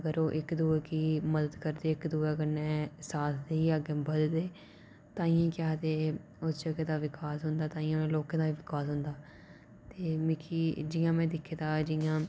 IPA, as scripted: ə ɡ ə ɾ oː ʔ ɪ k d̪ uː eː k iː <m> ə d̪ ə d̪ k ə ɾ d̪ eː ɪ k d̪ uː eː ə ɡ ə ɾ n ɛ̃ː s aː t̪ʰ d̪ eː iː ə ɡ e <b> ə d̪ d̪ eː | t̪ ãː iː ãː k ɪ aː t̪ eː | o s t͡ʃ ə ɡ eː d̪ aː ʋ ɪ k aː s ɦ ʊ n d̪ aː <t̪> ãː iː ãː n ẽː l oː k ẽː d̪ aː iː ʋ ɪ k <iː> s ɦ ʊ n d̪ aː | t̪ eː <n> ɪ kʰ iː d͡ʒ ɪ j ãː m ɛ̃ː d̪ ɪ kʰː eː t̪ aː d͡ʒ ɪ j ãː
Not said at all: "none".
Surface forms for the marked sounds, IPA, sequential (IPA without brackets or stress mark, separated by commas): m, b, t̪, aː, m